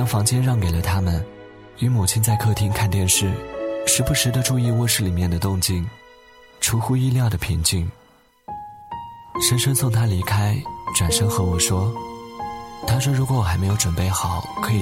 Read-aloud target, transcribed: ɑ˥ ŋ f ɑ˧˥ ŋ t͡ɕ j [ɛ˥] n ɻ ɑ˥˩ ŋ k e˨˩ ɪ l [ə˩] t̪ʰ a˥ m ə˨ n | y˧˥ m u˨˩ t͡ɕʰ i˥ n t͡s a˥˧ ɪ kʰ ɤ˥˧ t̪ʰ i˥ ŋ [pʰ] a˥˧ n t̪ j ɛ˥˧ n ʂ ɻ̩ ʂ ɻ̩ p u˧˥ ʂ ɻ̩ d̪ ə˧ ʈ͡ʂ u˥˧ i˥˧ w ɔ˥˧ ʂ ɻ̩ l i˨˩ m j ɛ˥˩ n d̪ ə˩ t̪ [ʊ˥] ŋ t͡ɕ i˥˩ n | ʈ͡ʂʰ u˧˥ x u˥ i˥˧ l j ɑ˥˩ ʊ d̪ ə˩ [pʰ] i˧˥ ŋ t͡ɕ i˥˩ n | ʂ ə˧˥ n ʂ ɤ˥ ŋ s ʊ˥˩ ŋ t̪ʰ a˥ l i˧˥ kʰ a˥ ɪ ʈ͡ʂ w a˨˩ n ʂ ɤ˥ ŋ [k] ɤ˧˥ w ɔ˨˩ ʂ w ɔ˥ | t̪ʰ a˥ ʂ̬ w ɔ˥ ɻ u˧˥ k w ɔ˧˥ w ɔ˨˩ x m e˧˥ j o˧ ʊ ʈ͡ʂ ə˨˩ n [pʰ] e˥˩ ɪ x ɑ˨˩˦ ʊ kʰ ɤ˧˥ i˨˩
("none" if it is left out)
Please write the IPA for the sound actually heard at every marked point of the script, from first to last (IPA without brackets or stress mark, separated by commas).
ɛ˥, ə˦, kʰ, ʊ˥˧, pʰ, x, p